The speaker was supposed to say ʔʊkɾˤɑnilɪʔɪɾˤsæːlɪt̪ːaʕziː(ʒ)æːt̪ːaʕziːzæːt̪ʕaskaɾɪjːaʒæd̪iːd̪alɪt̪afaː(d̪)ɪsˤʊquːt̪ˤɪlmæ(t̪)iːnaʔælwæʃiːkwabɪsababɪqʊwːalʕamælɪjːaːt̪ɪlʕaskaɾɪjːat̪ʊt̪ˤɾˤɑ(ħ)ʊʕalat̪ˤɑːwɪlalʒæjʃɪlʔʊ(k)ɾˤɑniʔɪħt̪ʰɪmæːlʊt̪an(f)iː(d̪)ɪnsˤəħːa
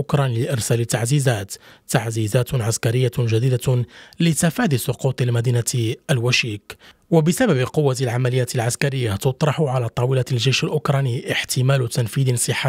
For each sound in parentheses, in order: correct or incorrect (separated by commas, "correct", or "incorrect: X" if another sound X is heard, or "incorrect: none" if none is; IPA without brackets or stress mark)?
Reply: incorrect: z, correct, incorrect: d̪, correct, correct, correct, correct